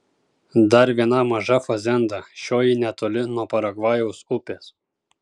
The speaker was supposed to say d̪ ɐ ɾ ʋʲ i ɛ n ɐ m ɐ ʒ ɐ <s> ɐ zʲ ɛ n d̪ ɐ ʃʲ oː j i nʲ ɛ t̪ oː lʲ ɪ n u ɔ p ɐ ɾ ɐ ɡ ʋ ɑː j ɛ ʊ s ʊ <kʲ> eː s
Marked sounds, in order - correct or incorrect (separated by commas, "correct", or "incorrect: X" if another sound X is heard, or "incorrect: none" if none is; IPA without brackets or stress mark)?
incorrect: f, incorrect: pʲ